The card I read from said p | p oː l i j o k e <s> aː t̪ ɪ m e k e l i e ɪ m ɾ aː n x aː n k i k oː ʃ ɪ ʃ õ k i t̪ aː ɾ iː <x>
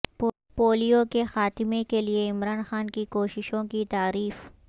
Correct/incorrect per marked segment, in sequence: incorrect, incorrect

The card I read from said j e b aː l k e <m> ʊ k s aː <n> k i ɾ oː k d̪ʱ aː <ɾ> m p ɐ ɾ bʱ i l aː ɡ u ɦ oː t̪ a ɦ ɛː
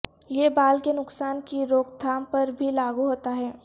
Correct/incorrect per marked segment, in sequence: incorrect, correct, incorrect

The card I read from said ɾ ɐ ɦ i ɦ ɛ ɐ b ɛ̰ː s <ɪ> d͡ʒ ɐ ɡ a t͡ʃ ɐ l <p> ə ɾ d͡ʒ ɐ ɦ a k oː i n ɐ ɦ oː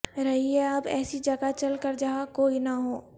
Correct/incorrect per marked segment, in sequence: incorrect, incorrect

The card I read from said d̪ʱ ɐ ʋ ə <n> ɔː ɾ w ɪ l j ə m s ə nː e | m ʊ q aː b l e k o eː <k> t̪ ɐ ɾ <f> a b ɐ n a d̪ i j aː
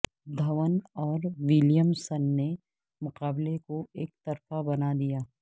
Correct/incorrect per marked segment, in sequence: correct, correct, correct

